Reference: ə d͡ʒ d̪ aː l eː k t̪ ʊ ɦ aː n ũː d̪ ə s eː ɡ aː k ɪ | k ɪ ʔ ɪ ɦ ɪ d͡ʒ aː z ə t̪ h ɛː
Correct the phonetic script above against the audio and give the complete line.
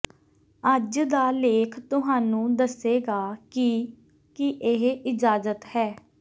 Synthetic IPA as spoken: ə d͡ʒ d̪ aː l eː kʰ t̪ ʊ ɦ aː n ũː d̪ ə s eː ɡ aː k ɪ | k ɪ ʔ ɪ ɦ ɪ d͡ʒ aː z ə t̪ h ɛː

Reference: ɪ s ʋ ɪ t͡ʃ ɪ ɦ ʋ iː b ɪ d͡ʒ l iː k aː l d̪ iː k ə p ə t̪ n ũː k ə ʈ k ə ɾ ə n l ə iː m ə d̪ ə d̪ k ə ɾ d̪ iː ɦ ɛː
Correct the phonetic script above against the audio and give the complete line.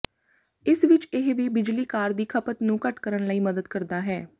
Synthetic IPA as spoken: ɪ s ʋ ɪ t͡ʃ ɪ ɦ ʋ iː b ɪ d͡ʒ l iː k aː ɾ d̪ iː kʰ ə p ə t̪ n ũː k ə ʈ k ə ɾ ə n l ə iː m ə d̪ ə d̪ k ə ɾ d̪ aː ɦ ɛː

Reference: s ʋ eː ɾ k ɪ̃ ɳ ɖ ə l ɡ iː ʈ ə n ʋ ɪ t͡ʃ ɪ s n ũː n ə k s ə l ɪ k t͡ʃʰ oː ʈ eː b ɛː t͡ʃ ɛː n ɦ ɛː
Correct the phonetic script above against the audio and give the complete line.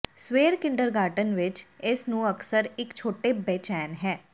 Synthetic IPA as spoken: s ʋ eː ɾ k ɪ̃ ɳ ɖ ə ɾ ɡ aː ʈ ə n ʋ ɪ t͡ʃ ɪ s n ũː ə k s ə ɾ ɪ k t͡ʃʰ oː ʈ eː b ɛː t͡ʃ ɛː n ɦ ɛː

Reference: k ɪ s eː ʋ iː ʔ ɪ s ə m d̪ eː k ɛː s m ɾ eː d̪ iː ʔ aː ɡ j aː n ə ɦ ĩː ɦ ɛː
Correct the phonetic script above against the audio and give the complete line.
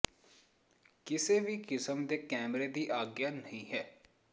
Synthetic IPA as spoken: k ɪ s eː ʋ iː k ɪ s ə m d̪ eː k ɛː m ɾ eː d̪ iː ʔ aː ɡ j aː n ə ɦ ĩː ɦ ɛː

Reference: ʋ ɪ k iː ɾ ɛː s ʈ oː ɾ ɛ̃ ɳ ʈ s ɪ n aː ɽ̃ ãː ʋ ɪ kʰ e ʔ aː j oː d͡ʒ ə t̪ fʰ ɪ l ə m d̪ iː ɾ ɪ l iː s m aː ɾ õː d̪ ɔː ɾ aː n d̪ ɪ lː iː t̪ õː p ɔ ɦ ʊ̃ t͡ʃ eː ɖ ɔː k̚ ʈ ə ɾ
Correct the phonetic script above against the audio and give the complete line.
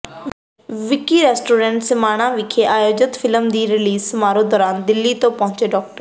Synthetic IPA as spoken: ʋ ɪ k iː ɾ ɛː s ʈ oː ɾ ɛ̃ ɳ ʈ s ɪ m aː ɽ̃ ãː ʋ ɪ kʰ e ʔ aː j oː d͡ʒ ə t̪ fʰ ɪ l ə m d̪ iː ɾ ɪ l iː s m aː ɾ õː d̪ ɔː ɾ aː n d̪ ɪ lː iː t̪ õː p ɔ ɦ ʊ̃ t͡ʃ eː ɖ ɔː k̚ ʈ ə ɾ

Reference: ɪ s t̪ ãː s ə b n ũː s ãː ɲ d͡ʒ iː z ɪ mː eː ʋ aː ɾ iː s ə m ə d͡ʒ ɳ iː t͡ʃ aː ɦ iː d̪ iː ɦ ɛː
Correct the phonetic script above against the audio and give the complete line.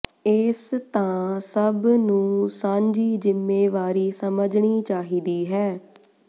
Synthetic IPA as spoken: ɪ s t̪ ãː s ə b n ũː s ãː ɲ d͡ʒ iː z ɪ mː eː ʋ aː ɾ iː s ə m ə d͡ʒ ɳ iː t͡ʃ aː ɦ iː d̪ iː ɦ ɛː

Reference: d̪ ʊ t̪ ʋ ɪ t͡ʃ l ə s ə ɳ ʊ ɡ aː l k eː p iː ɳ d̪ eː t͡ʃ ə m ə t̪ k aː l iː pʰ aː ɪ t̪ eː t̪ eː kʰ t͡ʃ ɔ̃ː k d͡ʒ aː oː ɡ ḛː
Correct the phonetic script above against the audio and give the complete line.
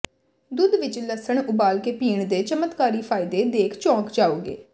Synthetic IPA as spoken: d̪ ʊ d̪ ʋ ɪ t͡ʃ l ə s ə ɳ ʊ b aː l k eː p iː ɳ d̪ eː t͡ʃ ə m ə t̪ k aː ɾ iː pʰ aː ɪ d̪ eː d̪ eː kʰ t͡ʃ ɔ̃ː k d͡ʒ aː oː ɡ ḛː

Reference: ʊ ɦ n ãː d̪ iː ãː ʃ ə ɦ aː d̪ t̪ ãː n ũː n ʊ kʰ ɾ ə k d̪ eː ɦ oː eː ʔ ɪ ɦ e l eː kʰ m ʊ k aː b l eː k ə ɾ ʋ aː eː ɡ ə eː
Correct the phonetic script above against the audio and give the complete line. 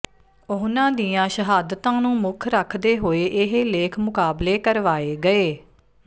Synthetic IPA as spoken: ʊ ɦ n ãː d̪ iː ãː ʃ ə ɦ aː d̪ t̪ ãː n ũː m ʊ kʰ ɾ ə kʰ d̪ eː ɦ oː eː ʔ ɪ ɦ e l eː kʰ m ʊ k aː b l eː k ə ɾ ʋ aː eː ɡ ə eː

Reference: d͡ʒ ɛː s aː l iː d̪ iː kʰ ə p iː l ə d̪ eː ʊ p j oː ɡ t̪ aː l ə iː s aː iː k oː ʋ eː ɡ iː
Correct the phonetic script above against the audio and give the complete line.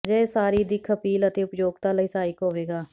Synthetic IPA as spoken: d͡ʒ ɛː s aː ɾ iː d̪ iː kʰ ə p iː l ə t̪ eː ʊ p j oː ɡ t̪ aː l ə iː s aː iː k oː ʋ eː ɡ aː

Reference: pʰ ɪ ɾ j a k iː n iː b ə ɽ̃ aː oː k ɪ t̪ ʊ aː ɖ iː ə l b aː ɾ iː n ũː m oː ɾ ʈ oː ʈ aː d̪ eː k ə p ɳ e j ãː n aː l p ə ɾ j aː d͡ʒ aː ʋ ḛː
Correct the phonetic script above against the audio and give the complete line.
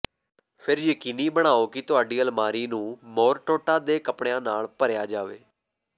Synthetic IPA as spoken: pʰ ɪ ɾ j ə k iː n iː b ə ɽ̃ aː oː k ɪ t̪ ʊ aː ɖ iː ə l m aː ɾ iː n ũː m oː ɾ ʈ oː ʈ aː d̪ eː k ə p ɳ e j ãː n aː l p ə ɾ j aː d͡ʒ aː ʋ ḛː

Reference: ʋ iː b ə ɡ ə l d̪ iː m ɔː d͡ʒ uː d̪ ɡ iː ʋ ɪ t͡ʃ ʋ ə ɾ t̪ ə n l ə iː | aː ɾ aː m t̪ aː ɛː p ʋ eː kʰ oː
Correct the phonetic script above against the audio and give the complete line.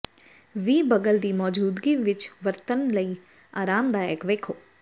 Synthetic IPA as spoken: ʋ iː b ə ɡ ə l d̪ iː m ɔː d͡ʒ uː d̪ ɡ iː ʋ ɪ t͡ʃ ʋ ə ɾ t̪ ə n l ə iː | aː ɾ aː m d̪ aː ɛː k ʋ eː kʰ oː

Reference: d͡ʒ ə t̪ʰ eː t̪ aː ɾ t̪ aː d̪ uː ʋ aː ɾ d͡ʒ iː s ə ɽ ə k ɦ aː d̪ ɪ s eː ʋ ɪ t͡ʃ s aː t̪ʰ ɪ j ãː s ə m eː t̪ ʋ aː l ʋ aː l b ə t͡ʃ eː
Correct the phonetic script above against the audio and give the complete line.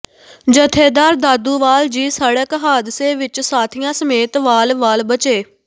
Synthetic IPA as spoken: d͡ʒ ə t̪ʰ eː d̪ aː ɾ d̪ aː d̪ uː ʋ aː l d͡ʒ iː s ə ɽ ə k ɦ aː d̪ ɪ s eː ʋ ɪ t͡ʃ s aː t̪ʰ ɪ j ãː s ə m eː t̪ ʋ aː l ʋ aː l b ə t͡ʃ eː

